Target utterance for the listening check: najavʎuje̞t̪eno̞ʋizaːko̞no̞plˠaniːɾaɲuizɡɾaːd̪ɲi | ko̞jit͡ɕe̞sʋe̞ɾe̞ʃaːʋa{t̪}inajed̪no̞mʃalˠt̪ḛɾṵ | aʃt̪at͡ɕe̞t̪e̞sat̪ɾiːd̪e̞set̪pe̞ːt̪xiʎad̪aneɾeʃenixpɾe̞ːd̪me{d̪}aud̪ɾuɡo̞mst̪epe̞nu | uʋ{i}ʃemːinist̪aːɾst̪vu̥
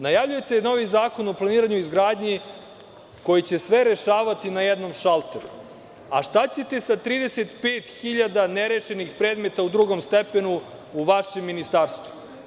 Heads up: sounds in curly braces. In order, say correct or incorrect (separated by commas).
correct, incorrect, incorrect